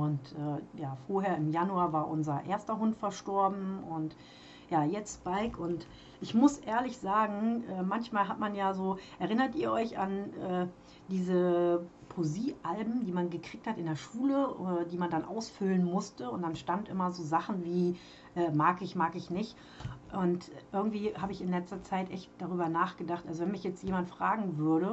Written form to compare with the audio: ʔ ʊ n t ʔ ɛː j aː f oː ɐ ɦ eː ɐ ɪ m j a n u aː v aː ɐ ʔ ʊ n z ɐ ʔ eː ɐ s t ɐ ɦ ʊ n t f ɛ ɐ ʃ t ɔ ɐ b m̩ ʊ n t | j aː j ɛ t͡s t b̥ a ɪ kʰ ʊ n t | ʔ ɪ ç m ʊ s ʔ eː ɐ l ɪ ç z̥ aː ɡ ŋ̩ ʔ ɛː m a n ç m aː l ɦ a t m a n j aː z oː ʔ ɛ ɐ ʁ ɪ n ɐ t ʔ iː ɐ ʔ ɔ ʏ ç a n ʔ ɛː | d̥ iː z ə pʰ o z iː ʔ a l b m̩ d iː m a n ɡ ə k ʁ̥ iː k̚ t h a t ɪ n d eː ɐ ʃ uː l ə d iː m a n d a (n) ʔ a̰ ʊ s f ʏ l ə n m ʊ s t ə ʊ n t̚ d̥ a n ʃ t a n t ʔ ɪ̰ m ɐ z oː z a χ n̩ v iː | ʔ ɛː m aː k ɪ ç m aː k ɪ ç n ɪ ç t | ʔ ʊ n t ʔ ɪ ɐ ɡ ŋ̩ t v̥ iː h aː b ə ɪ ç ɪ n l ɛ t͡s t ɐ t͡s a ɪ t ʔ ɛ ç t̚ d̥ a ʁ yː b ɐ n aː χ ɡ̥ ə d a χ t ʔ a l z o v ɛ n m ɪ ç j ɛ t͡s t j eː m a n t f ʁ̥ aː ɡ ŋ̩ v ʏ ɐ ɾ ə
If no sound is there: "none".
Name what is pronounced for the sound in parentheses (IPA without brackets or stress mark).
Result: n